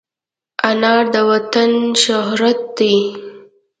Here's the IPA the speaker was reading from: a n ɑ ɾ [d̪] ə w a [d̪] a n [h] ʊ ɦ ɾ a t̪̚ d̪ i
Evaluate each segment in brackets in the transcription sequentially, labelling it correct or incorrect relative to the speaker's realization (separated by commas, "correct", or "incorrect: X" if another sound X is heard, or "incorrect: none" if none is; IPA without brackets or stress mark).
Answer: correct, incorrect: t̪, incorrect: ʃ